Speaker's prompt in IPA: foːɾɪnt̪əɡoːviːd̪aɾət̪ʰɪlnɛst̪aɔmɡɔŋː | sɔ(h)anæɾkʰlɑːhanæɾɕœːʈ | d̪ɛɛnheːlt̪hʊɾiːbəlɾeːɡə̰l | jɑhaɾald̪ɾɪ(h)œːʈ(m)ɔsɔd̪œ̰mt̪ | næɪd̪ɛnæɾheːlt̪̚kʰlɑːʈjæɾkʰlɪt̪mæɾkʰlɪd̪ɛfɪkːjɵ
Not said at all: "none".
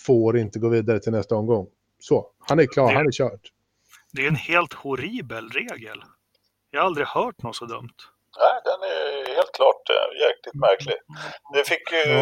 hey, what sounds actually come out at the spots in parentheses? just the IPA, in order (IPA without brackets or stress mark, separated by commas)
h, h, n